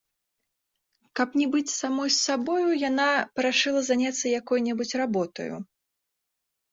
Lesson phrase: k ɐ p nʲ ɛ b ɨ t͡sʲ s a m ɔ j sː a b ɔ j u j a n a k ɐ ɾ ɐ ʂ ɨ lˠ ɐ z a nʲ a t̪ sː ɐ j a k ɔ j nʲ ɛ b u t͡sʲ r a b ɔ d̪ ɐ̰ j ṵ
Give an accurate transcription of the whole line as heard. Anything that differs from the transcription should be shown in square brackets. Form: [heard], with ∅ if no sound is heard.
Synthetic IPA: k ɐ p nʲ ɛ b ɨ t͡sʲ s a m ɔ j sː a b ɔ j u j a n a [p] ɐ ɾ [a] ʂ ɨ lˠ ɐ z a nʲ a t̪ sː ɐ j a k ɔ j nʲ ɛ b u t͡sʲ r a b ɔ [t̪] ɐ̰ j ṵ